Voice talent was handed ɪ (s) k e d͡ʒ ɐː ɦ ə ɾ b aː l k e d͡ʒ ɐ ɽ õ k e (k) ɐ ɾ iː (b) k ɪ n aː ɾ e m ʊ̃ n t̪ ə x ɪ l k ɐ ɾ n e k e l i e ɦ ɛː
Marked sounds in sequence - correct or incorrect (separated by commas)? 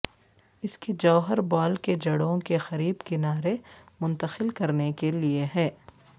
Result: correct, incorrect, correct